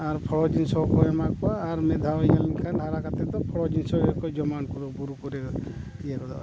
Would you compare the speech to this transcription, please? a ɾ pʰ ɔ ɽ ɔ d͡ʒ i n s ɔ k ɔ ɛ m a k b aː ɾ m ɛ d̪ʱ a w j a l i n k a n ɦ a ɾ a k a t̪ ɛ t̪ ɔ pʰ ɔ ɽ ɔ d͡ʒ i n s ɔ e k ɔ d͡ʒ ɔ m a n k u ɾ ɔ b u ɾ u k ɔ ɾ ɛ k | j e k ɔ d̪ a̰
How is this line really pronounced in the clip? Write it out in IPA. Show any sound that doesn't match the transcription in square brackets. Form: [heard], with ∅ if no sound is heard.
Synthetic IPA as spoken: a ɾ pʰ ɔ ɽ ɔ d͡ʒ i n s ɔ k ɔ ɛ m a k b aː ɾ m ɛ d̪ʱ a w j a l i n [kʰ] a n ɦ a ɾ a k a t̪ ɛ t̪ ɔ pʰ ɔ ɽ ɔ d͡ʒ i n s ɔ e k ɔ d͡ʒ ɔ m a n k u ɾ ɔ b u ɾ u k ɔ ɾ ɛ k | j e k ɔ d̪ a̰

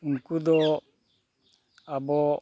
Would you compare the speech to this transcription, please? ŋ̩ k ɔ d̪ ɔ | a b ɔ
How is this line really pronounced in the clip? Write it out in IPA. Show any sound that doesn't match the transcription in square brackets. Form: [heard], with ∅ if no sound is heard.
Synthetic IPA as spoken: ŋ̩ k [u] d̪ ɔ | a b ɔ

